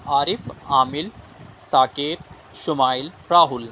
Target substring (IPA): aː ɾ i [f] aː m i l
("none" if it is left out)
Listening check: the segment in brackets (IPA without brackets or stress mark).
f